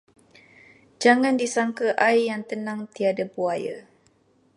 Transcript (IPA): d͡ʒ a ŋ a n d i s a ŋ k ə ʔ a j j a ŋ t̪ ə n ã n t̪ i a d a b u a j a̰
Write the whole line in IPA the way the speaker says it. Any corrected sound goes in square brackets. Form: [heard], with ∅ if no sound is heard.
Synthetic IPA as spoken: d͡ʒ a ŋ a n d i s a ŋ k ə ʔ a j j a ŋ t̪ ə n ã [ŋ] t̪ i a d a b u a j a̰